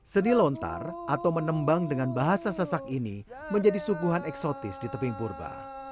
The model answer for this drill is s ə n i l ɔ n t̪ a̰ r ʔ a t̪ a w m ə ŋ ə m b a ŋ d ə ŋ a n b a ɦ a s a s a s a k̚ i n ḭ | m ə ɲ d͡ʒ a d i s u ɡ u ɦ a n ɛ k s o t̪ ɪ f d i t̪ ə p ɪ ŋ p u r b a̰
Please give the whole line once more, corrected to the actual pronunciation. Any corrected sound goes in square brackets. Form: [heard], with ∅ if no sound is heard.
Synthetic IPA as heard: s ə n i l ɔ n t̪ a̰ r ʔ a t̪ a w m ə [n] ə m b a ŋ d ə ŋ a n b a ɦ a s a s a s a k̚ i n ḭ | m ə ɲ d͡ʒ a d i s u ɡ u ɦ a n ɛ k s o t̪ ɪ [s] d i t̪ ə p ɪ ŋ p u r b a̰